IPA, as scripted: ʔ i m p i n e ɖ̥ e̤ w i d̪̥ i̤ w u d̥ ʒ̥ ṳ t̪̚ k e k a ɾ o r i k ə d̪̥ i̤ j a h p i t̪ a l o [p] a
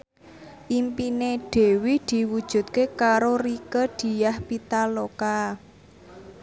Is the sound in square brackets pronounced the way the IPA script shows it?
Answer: no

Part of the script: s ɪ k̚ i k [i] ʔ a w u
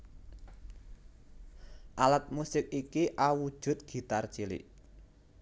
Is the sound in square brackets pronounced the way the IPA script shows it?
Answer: yes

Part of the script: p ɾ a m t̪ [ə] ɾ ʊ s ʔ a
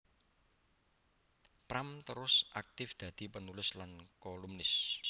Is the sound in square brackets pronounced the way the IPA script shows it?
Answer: yes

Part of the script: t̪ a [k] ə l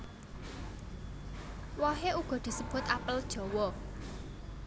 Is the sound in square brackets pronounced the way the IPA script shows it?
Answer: no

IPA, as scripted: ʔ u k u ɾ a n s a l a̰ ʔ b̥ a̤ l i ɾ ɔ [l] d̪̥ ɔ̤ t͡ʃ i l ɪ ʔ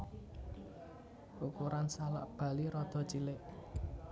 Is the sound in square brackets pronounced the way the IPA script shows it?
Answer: no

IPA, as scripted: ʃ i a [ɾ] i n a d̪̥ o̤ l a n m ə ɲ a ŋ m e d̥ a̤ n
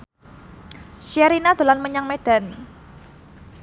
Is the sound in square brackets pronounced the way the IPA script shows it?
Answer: yes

